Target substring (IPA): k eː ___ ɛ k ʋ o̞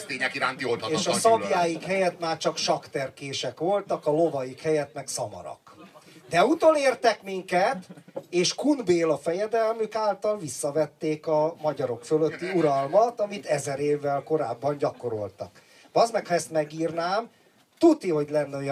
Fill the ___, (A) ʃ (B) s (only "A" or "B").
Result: A